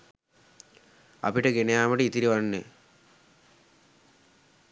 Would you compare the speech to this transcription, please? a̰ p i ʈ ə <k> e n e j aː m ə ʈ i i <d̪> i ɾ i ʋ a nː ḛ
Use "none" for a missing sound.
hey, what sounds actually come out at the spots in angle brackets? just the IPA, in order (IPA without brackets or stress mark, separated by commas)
ɡ, t̪